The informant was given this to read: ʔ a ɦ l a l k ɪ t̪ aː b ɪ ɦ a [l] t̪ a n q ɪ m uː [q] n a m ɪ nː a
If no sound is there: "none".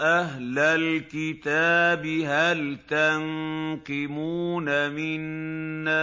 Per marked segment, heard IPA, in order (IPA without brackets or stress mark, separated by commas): l, none